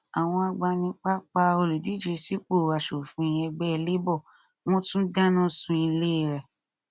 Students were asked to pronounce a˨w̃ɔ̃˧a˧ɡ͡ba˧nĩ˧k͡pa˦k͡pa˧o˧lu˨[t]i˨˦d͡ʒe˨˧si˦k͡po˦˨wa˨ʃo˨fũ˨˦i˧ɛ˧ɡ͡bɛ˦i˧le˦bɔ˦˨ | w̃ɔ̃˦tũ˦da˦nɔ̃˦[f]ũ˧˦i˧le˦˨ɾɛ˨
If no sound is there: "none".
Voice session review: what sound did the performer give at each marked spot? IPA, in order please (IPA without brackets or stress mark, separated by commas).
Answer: d, s